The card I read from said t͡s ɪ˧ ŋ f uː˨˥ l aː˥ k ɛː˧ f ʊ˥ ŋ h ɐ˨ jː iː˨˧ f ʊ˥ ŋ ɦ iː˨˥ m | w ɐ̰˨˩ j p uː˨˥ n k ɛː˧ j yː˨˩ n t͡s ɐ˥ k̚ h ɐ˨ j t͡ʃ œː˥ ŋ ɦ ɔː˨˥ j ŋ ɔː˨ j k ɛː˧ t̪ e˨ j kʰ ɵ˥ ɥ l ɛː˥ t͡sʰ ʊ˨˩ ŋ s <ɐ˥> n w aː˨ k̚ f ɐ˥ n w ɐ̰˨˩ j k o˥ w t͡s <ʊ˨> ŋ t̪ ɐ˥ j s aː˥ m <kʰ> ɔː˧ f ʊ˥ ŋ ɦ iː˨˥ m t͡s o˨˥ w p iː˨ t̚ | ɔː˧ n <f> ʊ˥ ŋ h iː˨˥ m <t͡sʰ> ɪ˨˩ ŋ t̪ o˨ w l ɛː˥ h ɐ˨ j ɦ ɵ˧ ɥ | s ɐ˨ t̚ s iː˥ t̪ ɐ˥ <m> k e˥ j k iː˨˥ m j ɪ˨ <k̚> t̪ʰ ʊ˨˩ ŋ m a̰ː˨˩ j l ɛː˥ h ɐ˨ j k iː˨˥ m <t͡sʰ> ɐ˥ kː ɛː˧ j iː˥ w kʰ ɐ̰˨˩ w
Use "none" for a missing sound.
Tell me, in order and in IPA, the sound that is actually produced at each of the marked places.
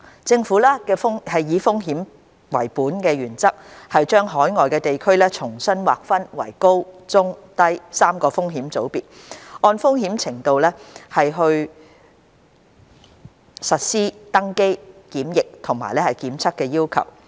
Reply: ɐ˥, ʊ˥, k, f, t͡sʰ, ŋ, k̚, t͡sʰ

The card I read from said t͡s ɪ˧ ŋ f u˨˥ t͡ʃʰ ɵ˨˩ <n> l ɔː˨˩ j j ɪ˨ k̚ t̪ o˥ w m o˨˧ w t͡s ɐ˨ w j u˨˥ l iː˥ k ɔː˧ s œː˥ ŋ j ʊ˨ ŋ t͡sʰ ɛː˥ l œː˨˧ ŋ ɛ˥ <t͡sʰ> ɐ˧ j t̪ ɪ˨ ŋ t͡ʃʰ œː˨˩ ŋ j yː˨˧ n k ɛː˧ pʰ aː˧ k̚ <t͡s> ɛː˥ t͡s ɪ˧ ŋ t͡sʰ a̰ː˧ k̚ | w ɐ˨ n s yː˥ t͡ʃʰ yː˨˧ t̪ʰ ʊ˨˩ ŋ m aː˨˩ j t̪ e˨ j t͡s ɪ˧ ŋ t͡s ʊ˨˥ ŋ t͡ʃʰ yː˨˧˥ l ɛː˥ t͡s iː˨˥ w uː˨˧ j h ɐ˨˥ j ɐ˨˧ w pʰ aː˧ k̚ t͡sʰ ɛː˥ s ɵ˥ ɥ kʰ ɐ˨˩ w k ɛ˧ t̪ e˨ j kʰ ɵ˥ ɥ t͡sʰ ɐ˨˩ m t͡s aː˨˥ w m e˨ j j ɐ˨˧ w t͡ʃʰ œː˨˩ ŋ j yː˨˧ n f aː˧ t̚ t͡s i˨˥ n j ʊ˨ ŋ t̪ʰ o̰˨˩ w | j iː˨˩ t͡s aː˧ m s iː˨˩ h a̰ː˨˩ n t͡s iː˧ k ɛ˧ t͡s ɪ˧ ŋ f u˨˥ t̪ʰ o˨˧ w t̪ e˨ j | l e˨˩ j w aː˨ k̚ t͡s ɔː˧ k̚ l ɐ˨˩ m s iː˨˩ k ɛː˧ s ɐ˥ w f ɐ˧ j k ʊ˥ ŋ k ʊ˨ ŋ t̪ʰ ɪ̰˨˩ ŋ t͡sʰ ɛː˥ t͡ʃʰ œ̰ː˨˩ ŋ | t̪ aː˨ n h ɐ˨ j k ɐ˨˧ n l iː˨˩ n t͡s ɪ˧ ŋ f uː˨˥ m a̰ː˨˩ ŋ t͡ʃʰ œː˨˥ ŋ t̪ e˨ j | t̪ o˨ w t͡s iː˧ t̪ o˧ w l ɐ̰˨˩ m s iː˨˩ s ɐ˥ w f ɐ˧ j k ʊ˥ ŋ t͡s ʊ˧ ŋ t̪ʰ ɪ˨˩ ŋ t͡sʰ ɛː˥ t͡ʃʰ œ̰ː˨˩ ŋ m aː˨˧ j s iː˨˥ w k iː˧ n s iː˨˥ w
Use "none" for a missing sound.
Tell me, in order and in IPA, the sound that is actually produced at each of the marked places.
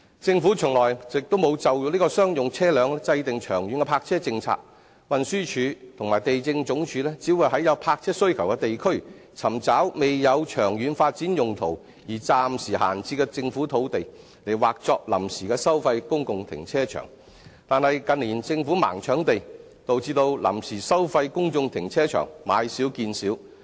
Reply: ŋ, t͡s, t͡sʰ

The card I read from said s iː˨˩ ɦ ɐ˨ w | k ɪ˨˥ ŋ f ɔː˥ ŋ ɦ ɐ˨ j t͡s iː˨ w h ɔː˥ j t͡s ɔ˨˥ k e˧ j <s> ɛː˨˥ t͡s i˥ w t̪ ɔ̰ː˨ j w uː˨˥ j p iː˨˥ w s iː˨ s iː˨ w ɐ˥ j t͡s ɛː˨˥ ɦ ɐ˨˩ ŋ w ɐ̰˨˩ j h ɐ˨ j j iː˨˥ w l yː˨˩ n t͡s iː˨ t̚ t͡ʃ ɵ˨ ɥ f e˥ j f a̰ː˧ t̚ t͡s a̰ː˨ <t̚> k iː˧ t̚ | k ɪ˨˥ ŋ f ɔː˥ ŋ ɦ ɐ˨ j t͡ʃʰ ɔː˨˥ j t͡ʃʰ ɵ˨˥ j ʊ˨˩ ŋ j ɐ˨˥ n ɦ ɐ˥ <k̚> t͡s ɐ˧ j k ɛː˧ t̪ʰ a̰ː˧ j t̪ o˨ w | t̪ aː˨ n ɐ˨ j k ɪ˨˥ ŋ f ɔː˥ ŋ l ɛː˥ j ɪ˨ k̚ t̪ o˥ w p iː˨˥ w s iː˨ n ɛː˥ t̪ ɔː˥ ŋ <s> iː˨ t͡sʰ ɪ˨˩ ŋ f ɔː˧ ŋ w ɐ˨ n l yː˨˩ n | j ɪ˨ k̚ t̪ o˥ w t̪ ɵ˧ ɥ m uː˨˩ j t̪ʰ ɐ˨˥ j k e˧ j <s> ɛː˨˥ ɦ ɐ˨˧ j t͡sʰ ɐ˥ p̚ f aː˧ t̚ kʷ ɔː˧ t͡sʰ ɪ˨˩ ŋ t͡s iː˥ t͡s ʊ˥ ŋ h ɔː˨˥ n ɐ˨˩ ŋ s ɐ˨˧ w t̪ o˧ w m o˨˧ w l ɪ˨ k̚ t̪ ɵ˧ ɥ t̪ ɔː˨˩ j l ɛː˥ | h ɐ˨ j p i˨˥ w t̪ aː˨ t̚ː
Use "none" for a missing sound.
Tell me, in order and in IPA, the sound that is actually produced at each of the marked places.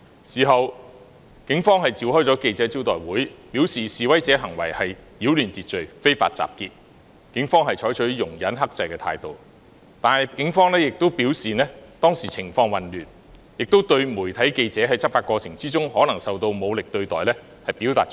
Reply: t͡s, p̚, k̚, s, t͡s

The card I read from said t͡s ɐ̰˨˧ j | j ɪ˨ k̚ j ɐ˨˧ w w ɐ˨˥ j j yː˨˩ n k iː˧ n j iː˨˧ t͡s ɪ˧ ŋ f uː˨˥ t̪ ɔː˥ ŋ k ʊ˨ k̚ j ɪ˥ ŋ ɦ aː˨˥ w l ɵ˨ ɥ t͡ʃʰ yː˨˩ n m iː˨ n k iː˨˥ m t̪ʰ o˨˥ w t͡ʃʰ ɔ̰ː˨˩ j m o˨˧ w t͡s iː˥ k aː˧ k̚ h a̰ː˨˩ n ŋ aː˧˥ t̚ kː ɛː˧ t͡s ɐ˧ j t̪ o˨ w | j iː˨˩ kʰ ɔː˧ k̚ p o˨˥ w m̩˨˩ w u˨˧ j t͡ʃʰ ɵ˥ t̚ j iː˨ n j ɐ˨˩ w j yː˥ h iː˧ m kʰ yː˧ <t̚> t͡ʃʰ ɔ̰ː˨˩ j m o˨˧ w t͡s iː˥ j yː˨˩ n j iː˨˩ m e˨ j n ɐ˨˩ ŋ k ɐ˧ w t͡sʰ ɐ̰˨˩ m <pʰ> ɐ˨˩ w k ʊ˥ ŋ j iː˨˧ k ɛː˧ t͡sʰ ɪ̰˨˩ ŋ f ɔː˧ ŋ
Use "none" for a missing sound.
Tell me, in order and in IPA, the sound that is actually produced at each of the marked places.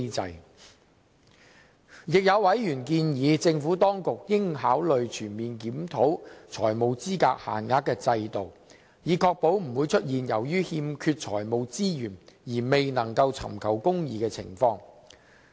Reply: t̚, kʰ

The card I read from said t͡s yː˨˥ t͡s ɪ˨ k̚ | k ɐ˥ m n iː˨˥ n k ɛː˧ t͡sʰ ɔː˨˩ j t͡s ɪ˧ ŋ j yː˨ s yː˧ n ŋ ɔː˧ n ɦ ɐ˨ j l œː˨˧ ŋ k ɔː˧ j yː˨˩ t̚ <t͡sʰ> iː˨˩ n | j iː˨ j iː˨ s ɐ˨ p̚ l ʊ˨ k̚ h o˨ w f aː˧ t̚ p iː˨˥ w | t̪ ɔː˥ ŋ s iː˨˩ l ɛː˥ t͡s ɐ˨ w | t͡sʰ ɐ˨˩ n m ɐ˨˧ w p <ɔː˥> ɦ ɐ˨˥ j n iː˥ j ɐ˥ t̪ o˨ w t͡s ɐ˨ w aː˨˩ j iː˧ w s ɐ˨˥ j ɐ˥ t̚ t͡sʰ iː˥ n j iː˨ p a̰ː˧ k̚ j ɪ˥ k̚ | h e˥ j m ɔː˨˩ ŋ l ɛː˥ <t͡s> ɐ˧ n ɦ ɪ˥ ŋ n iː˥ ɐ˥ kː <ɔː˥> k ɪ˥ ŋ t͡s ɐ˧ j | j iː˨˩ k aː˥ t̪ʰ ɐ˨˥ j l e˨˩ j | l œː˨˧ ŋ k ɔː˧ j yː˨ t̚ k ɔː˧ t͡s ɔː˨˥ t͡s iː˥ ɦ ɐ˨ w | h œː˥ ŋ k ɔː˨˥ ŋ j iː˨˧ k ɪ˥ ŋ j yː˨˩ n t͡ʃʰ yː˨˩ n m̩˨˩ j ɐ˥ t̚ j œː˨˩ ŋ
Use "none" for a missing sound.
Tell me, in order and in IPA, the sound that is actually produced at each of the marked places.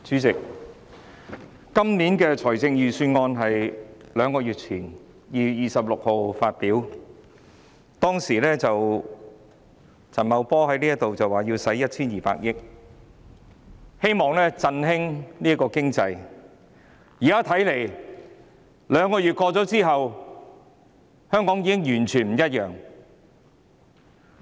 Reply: t͡sʰ, ɔː˥, t͡s, ɔː˧

